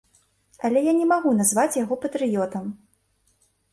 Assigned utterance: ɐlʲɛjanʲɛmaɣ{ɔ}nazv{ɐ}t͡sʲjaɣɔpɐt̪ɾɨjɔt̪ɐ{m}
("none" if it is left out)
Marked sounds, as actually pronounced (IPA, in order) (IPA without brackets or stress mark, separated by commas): u, a, m